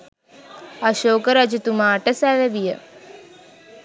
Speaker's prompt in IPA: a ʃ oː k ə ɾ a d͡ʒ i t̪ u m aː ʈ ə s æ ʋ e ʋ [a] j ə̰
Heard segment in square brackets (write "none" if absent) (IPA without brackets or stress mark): i